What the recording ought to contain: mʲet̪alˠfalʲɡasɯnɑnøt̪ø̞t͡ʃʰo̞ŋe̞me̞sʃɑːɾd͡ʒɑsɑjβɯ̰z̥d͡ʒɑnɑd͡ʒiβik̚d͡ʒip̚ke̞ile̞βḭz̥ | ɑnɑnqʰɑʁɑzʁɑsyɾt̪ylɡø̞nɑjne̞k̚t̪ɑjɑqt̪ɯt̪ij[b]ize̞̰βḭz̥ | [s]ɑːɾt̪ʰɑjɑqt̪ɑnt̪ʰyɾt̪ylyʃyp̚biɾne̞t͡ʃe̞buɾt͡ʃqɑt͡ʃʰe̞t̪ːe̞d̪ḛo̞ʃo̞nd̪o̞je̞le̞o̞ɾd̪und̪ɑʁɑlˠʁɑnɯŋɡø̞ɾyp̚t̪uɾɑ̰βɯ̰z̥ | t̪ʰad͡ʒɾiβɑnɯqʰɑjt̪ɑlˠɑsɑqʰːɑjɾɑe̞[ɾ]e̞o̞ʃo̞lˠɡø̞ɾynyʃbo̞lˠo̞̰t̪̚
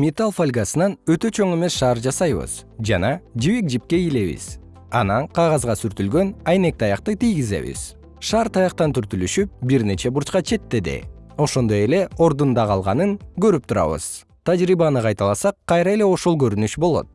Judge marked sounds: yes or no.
no, no, no

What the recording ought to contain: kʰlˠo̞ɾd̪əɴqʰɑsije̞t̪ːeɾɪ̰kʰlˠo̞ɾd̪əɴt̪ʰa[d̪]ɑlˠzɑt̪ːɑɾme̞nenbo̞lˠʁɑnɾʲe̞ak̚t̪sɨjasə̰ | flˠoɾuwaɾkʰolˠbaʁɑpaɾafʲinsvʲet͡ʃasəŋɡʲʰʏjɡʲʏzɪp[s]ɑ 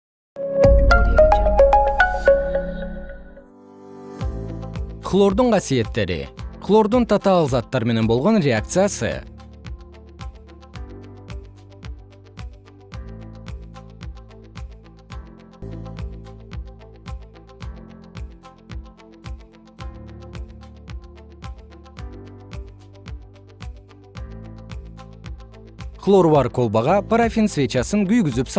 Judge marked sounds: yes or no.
no, yes

